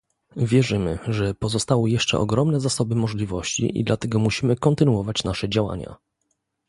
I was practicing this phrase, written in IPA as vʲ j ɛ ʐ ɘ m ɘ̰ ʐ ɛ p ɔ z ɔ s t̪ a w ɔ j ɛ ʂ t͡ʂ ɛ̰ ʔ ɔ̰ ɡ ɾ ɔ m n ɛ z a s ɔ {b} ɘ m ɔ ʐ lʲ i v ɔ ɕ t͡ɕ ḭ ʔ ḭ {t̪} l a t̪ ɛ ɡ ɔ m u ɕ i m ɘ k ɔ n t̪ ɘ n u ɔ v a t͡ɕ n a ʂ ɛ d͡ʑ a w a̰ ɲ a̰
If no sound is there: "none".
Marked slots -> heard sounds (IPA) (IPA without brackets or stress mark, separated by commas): b, d̪